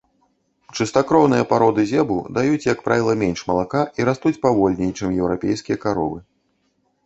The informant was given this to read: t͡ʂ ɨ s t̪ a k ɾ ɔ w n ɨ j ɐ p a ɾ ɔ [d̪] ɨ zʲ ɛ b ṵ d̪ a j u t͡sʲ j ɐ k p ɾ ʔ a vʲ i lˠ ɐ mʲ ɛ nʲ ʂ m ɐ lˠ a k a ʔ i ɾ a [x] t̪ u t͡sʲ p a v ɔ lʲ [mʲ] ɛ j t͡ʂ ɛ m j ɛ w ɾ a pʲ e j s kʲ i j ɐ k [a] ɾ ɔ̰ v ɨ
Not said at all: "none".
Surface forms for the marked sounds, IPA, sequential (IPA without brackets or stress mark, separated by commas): d̪, s, nʲ, a